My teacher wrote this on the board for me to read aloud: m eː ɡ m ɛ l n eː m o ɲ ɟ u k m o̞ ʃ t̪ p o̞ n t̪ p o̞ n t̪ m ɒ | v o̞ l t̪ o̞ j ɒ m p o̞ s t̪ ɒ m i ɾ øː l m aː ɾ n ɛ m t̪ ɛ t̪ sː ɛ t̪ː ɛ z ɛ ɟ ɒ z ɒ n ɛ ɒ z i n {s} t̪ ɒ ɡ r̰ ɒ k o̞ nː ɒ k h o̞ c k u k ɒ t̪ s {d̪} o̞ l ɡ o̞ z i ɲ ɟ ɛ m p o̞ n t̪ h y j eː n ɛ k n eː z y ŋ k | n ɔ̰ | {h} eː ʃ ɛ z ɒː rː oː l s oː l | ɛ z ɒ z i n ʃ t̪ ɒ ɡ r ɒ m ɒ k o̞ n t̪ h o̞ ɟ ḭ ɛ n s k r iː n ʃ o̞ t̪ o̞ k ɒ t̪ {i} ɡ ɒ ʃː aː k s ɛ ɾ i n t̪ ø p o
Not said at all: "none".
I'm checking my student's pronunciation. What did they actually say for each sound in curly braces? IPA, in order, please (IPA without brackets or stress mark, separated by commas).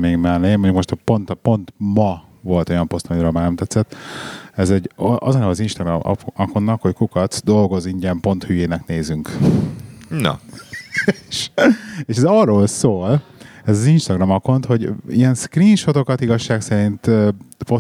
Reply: ʃ, d̪, ʃ, i